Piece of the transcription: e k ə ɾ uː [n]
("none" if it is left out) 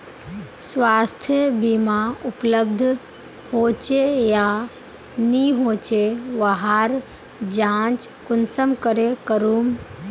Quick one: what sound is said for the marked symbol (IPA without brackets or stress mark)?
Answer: m